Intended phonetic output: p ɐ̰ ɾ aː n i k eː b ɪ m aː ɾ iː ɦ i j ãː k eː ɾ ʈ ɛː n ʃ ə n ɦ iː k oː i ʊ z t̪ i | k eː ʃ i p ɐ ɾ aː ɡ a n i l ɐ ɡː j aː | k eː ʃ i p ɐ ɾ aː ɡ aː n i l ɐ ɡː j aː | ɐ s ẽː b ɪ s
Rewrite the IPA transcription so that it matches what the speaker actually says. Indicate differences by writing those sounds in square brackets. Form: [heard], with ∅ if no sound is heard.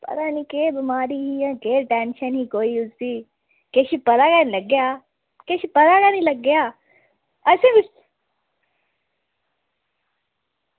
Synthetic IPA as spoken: p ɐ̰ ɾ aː n i k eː b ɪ m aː ɾ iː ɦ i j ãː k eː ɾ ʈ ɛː n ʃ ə n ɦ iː k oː i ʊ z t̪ i | k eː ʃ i p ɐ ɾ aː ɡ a n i l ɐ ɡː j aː | k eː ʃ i p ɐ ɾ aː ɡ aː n i l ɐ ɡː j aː | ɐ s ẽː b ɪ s